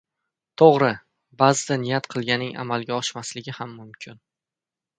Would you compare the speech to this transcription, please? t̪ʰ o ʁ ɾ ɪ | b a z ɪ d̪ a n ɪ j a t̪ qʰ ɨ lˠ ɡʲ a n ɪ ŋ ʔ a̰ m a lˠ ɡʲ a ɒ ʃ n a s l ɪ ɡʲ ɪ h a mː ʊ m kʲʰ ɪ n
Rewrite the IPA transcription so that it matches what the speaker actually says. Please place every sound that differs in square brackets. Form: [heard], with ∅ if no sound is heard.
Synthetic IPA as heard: t̪ʰ o ʁ ɾ ɪ | b a z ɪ d̪ a n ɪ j a t̪ qʰ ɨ lˠ ɡʲ a n ɪ ŋ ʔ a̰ m a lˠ ɡʲ a ɒ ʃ [m] a s l ɪ ɡʲ ɪ h a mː ʊ m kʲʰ ɪ n